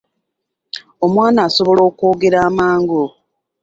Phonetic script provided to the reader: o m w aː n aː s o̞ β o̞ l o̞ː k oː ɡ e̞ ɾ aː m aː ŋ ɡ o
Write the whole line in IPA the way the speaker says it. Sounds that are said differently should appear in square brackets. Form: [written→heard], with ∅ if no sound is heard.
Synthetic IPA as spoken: o m w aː n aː s o̞ β o̞ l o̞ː k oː ɡ e̞ ɾ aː m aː ŋ ɡ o